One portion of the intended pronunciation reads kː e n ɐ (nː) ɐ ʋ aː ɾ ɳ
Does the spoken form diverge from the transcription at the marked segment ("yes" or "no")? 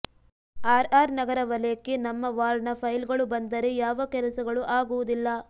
yes